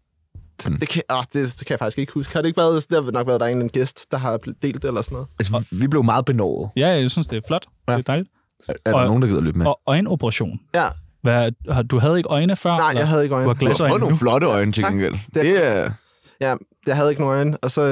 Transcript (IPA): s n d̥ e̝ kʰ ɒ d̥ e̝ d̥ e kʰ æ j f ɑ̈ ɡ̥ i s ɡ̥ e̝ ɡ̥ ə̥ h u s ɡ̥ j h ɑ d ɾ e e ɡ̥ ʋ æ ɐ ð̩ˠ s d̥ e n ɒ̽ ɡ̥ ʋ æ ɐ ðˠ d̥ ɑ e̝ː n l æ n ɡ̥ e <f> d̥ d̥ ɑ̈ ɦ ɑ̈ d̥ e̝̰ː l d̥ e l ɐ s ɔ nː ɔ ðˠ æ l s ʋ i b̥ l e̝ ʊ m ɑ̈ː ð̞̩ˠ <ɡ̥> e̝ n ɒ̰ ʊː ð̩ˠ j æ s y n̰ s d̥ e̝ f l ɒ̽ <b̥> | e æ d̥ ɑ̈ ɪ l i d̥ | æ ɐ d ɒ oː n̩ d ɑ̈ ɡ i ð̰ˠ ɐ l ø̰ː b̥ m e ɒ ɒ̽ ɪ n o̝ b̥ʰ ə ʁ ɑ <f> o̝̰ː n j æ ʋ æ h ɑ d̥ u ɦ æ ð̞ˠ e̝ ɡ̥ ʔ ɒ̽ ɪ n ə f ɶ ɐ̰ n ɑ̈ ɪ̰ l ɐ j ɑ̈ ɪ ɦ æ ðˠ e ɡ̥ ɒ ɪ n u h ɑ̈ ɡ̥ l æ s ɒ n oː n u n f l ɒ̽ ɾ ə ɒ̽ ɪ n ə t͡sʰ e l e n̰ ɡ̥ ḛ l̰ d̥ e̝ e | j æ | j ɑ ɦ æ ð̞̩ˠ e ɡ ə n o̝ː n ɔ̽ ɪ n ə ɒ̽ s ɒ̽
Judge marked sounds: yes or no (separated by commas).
no, no, no, no